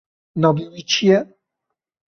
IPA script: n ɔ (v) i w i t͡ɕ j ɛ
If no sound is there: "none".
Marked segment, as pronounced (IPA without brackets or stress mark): b